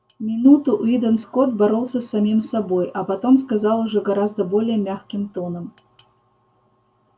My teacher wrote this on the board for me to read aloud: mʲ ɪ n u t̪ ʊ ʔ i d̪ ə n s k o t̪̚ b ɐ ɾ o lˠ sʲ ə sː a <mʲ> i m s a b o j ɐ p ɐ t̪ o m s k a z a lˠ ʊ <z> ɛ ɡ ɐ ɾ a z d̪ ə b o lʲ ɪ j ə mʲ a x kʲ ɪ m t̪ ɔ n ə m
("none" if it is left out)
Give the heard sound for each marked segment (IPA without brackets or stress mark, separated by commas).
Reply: mʲ, ʐ